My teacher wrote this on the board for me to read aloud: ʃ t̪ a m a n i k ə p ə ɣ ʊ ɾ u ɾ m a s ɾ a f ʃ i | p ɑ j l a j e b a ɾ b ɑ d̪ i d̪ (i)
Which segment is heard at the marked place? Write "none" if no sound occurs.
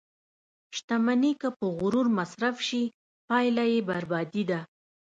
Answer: a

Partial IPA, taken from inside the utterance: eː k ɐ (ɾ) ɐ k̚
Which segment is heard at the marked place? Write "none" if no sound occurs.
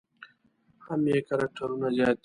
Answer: ɾ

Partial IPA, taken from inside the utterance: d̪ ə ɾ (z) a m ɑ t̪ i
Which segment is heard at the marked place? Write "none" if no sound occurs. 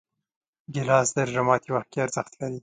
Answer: ʒ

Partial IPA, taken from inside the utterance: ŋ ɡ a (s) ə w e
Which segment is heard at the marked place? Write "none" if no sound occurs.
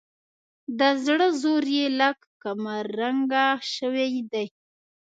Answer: ʃ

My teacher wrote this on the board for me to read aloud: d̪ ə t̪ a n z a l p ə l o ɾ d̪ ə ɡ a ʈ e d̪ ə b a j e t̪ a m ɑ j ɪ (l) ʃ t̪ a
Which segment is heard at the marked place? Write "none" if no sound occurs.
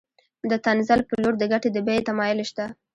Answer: l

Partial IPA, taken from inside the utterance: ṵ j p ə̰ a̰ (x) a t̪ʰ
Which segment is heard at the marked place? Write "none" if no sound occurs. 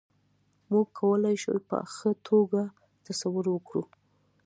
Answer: x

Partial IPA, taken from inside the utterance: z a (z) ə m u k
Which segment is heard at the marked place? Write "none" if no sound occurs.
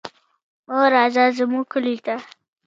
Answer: z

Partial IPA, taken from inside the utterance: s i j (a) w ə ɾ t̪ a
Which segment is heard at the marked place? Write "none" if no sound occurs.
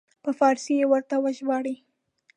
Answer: e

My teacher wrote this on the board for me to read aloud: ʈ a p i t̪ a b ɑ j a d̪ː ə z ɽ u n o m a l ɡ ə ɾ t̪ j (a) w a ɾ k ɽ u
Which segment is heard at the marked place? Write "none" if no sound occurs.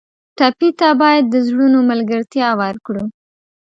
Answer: ɑ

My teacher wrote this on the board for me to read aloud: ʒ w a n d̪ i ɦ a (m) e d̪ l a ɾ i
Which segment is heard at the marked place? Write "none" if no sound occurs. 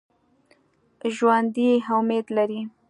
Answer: m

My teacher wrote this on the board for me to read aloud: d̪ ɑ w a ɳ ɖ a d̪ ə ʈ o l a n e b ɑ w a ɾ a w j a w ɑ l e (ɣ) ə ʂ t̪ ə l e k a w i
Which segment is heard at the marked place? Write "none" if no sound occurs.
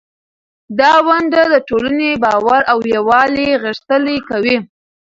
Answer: ɣ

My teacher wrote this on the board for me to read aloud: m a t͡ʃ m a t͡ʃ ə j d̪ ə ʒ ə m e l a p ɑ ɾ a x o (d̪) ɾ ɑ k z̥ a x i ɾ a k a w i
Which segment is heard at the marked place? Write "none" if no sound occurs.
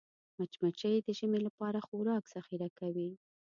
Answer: none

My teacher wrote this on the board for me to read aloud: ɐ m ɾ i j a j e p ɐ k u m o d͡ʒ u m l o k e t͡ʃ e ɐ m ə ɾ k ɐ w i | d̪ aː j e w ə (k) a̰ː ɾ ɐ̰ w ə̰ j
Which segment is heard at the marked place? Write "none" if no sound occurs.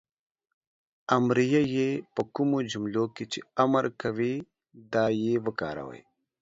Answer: k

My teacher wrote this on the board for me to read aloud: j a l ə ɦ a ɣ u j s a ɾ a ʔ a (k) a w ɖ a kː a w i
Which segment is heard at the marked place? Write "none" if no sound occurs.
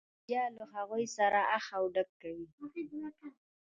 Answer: x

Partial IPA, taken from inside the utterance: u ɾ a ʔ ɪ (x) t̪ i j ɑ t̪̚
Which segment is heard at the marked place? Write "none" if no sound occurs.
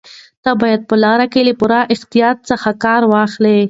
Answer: x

